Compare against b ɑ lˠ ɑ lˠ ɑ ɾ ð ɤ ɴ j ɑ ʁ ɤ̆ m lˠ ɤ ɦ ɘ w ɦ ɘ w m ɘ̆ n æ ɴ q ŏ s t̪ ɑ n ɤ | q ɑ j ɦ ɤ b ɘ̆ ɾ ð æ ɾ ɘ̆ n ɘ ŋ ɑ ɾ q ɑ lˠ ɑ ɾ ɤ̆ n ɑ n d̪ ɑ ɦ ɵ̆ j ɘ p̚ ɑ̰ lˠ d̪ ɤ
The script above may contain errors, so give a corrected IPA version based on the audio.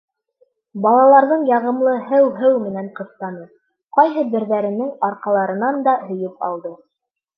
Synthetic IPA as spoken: b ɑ lˠ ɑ lˠ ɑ ɾ ð ɤ ɴ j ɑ ʁ ɤ̆ m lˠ ɤ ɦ ɘ w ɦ ɘ w m ɘ̆ n æ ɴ q ɤ̆ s t̪ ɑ n ɤ | q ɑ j ɦ ɤ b ɘ̆ ɾ ð æ ɾ ɘ̆ n ɘ ŋ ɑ ɾ q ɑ lˠ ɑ ɾ ɤ̆ n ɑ n d̪ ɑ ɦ ɵ̆ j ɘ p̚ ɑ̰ lˠ d̪ ɤ